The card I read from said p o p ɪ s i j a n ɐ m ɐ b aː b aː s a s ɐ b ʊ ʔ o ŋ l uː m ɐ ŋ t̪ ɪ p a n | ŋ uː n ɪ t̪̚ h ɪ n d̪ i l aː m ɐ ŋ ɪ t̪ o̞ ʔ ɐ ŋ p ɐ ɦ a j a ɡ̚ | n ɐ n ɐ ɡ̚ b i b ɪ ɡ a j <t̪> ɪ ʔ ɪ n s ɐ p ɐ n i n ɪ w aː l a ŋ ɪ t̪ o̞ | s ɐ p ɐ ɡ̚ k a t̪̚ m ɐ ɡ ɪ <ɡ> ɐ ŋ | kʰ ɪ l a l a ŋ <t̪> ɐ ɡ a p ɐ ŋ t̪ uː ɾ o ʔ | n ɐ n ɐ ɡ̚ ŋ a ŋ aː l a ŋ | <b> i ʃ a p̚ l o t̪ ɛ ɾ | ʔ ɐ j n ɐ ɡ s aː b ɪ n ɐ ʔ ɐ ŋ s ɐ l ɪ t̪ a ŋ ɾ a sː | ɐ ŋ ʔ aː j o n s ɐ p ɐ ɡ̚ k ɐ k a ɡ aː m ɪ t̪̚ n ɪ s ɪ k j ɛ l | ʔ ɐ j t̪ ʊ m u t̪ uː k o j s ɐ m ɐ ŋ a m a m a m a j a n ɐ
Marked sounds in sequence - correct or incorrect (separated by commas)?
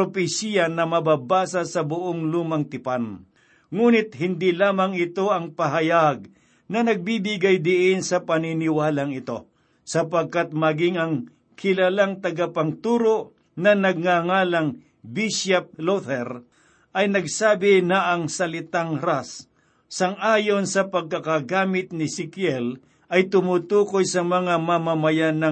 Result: incorrect, incorrect, correct, correct